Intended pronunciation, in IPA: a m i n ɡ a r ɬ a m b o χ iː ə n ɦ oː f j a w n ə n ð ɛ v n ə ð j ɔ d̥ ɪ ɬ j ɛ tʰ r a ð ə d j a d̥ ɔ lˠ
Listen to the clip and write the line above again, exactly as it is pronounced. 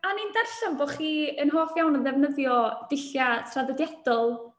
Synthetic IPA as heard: a n i n d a r ɬ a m b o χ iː ə n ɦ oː f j a w n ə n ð ɛ v n ə ð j ɔ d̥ ɪ ɬ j a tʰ r a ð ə d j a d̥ ɔ lˠ